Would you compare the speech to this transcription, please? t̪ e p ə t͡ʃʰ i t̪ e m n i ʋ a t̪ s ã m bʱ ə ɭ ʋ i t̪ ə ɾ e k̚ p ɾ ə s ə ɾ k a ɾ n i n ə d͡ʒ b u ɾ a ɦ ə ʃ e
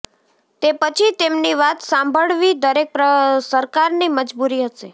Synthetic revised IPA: t̪ e p ə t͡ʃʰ i t̪ e m n i ʋ a t̪ s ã m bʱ ə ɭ ʋ i d̪ ə ɾ e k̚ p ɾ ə s ə ɾ k a ɾ n i m ə d͡ʒ b u ɾ i ɦ ə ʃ e